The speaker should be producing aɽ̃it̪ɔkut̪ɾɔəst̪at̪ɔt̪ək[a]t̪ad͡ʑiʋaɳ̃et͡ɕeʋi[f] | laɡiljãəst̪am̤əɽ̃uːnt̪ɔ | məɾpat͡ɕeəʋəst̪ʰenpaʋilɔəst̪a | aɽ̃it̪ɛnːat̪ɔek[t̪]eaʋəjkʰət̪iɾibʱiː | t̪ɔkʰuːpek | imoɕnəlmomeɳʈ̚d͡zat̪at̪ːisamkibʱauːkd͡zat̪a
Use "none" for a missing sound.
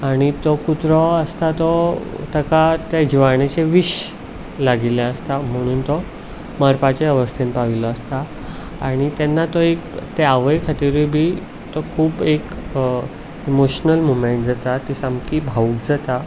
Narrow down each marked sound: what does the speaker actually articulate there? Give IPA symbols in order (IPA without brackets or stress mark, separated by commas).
a, ɕ, t̪